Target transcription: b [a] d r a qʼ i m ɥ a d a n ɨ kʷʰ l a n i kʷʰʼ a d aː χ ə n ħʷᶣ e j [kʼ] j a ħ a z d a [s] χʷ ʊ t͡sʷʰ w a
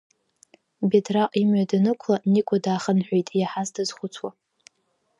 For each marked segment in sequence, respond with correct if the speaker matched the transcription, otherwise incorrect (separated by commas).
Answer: incorrect, incorrect, incorrect